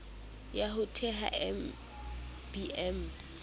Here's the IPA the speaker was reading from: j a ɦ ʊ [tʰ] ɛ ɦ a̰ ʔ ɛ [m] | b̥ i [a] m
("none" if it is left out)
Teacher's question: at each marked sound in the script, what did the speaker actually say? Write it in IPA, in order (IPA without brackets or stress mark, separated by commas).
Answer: tʰ, m, ɛ